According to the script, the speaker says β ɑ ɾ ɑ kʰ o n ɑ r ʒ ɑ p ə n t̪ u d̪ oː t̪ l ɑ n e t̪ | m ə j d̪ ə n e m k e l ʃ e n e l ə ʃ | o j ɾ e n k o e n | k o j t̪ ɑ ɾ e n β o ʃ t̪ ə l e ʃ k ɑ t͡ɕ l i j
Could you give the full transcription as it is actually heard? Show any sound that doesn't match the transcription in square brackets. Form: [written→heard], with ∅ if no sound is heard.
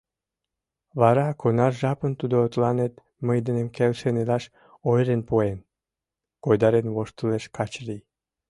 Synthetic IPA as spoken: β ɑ ɾ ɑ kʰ o n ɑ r ʒ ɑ p ə n t̪ u d̪ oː t̪ l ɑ n e t̪ | m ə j d̪ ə n e m k e l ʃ e n e l [ə→ɑ] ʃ | o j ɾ e n [k→p] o e n | k o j [t̪→d̪] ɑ ɾ e n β o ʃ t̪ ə l e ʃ k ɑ t͡ɕ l i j